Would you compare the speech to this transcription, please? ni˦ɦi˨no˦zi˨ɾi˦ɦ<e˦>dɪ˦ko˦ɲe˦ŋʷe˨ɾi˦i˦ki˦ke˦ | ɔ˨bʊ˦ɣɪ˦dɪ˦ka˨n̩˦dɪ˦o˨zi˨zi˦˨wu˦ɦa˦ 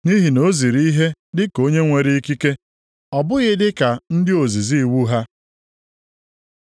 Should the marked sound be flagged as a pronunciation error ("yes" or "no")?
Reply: no